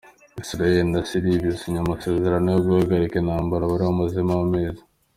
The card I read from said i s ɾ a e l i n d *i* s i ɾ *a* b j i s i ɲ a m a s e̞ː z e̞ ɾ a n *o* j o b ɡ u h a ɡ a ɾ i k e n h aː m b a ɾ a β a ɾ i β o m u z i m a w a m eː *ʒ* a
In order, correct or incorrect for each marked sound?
incorrect: a, incorrect: i, correct, incorrect: z

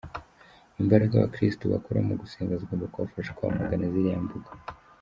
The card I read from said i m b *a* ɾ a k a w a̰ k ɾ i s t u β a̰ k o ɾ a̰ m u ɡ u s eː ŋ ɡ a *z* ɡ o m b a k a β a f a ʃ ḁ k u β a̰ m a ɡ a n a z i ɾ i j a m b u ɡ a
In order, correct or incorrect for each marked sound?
correct, correct

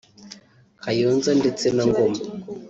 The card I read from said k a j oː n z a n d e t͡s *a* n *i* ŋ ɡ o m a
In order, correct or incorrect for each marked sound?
incorrect: e, incorrect: a

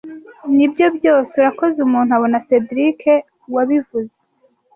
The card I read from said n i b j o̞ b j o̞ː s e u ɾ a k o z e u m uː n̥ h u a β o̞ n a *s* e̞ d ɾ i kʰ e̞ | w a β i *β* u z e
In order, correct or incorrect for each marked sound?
correct, incorrect: v

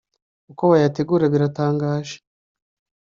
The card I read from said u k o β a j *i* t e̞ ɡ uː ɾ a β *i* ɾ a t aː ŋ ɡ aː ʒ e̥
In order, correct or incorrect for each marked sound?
incorrect: a, correct

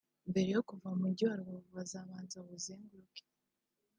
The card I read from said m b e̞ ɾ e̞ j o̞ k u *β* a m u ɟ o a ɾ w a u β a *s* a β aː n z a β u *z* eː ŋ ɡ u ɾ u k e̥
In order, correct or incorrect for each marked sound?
incorrect: v, incorrect: z, correct

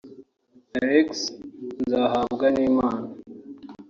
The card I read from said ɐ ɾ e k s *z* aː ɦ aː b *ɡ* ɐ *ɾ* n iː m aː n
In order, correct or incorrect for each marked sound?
correct, correct, incorrect: none

